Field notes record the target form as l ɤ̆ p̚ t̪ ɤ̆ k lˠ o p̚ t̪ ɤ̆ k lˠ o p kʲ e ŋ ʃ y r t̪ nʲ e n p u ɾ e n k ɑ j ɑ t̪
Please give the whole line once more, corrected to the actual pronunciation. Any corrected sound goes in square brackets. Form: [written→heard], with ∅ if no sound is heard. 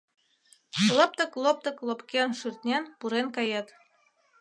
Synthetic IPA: l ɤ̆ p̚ t̪ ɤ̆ k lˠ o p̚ t̪ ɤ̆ k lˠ o p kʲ e [ŋ→n] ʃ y r t̪ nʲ e n p u ɾ e n k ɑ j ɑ t̪